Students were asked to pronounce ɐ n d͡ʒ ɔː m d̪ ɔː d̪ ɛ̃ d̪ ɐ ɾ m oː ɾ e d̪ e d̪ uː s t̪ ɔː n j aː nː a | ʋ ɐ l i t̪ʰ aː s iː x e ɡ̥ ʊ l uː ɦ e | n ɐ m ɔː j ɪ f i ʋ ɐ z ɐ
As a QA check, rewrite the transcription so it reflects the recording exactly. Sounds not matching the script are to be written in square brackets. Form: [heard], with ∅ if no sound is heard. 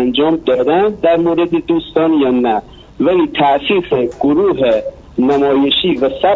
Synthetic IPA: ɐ n d͡ʒ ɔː m d̪ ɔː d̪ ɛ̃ d̪ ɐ ɾ m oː ɾ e d̪ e d̪ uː s t̪ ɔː n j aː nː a | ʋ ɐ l i t̪ʰ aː s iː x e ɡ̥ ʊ [ɾ] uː ɦ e | n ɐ m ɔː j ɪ [ʃ] i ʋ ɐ [s] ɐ